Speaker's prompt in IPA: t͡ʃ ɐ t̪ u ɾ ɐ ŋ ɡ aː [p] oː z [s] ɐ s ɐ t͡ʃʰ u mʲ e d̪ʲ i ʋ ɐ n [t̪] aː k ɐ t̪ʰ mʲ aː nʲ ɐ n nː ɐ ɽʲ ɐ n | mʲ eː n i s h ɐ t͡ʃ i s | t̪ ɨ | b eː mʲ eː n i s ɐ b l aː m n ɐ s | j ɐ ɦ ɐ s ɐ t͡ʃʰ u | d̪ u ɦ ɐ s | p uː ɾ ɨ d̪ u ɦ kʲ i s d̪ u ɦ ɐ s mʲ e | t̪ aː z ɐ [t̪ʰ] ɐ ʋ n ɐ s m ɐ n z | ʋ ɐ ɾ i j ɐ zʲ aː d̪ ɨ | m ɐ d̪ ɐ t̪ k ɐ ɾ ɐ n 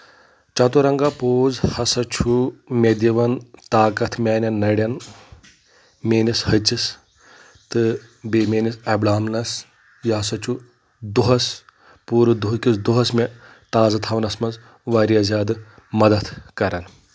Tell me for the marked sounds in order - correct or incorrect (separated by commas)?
correct, incorrect, correct, correct